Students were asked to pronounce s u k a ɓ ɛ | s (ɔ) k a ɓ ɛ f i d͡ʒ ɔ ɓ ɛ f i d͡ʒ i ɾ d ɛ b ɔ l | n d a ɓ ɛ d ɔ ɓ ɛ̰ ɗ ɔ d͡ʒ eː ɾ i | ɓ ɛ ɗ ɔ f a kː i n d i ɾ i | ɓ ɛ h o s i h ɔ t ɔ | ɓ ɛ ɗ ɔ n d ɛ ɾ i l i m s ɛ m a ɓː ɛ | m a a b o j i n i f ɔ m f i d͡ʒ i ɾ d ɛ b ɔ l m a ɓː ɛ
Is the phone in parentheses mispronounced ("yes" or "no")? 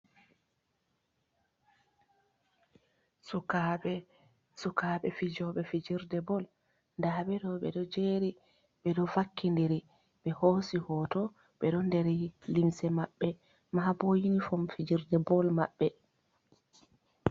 yes